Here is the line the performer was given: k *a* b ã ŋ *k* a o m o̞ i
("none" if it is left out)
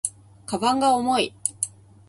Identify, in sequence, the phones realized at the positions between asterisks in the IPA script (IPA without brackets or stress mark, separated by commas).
a, ɡ